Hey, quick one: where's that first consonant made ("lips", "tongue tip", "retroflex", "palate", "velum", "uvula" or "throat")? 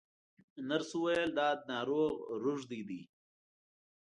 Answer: tongue tip